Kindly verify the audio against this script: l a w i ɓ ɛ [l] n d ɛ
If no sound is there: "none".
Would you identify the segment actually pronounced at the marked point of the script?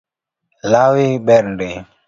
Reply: ɾ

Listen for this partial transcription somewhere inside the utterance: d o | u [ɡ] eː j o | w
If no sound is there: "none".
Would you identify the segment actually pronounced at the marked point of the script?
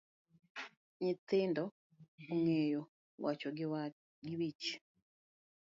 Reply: ŋ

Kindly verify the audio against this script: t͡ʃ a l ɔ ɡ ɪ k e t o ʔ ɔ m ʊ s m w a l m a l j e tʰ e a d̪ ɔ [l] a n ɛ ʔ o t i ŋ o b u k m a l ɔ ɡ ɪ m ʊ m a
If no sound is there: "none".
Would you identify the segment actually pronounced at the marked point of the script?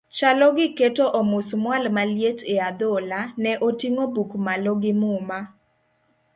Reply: l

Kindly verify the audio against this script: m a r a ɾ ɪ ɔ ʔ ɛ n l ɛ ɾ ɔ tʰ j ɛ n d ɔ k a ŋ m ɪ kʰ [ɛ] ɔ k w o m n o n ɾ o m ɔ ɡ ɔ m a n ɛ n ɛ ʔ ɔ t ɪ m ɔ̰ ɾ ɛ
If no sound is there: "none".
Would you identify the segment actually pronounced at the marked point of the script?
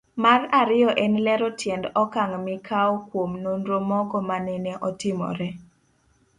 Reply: a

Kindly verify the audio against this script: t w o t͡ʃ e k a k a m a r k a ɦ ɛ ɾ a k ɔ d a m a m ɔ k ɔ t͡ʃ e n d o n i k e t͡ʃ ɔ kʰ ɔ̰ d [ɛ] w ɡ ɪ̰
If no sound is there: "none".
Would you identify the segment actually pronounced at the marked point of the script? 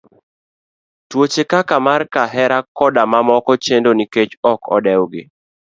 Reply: ɛ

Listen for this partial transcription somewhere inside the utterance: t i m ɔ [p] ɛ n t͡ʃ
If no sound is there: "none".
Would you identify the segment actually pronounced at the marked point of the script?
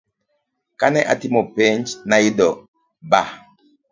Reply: p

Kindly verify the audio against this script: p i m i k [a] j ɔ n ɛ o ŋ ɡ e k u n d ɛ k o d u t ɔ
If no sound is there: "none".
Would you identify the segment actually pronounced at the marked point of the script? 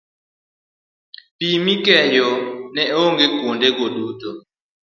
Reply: ɛ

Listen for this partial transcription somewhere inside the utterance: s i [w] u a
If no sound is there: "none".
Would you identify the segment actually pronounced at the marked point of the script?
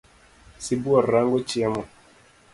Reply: b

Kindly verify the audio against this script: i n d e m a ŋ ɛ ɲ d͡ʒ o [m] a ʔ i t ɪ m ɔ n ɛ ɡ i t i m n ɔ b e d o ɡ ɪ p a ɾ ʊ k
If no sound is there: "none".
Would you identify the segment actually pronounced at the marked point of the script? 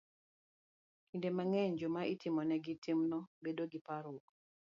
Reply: m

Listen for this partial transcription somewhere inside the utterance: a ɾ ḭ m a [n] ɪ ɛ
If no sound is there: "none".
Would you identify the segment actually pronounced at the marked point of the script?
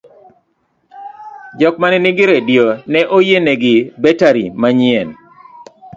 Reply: ɲ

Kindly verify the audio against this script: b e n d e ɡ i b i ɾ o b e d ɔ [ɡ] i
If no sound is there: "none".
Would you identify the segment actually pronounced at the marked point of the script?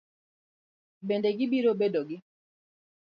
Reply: ɡ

